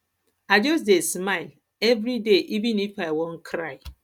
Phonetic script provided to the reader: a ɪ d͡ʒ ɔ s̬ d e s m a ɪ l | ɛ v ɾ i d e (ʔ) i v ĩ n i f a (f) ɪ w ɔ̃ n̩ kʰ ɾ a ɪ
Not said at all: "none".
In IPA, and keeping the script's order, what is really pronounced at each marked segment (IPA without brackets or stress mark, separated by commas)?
ʔ, none